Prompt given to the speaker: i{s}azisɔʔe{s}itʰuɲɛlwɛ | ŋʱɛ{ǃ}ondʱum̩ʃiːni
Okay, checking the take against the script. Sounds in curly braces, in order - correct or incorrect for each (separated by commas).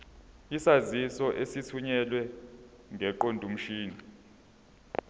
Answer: correct, correct, correct